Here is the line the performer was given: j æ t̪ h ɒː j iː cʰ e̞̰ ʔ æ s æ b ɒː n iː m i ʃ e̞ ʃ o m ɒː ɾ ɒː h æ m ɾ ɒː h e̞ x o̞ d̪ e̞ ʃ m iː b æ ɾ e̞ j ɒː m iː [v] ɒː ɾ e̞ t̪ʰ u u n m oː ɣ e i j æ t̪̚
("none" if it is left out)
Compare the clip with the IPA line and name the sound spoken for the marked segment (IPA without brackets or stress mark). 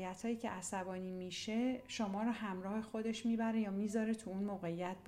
z